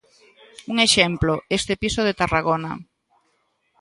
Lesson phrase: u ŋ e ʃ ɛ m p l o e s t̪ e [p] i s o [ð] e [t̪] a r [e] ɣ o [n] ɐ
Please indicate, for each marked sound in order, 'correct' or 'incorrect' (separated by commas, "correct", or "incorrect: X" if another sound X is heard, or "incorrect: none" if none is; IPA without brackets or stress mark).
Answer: correct, correct, correct, incorrect: a, correct